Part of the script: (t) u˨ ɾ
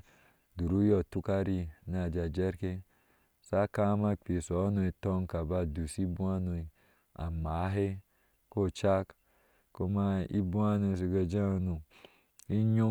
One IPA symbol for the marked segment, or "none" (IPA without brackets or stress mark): d